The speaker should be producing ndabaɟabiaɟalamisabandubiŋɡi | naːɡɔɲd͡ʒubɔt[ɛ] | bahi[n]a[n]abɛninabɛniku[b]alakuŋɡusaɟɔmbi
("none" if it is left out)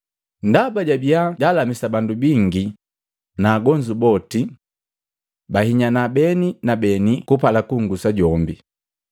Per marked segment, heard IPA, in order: i, ɲ, n, p

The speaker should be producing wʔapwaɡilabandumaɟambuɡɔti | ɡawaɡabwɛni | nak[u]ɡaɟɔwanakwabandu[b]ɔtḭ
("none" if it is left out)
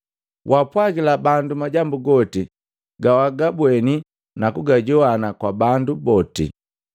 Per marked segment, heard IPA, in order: u, b

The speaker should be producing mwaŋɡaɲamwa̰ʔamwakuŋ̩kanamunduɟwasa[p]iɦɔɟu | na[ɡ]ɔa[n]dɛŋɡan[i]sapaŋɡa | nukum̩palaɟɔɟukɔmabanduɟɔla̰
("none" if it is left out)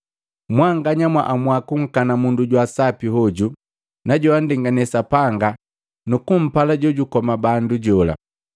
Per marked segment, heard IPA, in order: p, ɟ, n, ɛ

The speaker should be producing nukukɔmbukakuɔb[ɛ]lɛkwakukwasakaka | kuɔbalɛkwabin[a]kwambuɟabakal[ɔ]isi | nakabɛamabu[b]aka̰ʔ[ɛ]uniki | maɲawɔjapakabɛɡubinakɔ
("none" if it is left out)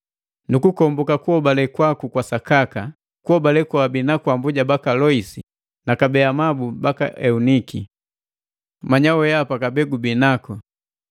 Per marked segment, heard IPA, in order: a, a, ɔ, b, ɛ

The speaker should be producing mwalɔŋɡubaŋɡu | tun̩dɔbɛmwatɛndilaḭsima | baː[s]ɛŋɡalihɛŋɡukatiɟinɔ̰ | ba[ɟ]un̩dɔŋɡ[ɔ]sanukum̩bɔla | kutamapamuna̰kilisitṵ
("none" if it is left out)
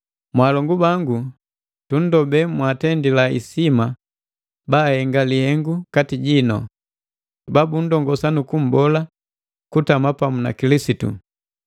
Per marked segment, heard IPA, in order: h, b, ɔ

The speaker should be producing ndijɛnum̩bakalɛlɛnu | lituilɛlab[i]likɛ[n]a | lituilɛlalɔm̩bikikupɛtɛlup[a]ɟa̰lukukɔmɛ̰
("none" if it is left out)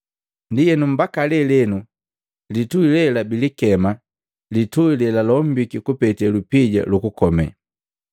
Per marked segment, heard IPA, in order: i, m, i

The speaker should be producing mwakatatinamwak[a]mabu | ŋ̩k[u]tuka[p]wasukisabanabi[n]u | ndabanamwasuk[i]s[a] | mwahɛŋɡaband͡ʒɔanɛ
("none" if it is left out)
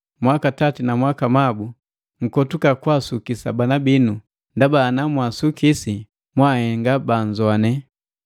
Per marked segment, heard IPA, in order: a, ɔ, k, n, i, i

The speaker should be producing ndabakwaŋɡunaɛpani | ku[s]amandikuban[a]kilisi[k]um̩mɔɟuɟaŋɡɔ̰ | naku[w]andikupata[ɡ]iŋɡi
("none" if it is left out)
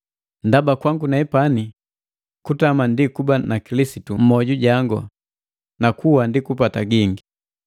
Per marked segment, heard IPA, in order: t, a, t, w, ɡ

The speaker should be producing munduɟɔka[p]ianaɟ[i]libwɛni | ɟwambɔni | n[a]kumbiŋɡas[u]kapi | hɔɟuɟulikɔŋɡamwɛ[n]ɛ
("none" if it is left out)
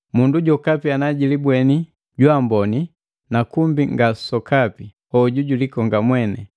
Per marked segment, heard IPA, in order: p, i, a, ɔ, n

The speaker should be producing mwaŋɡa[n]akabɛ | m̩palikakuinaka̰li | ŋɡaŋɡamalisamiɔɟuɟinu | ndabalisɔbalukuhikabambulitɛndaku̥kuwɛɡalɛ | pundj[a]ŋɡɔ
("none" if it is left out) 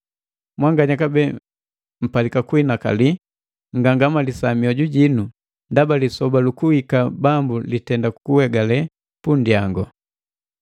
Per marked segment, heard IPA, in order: ɲ, a

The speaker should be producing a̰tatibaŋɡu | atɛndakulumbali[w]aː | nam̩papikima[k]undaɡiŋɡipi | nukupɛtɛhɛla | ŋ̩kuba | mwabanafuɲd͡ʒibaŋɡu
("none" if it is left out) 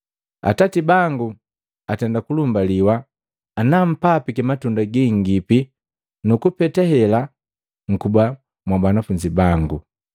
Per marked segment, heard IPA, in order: w, t

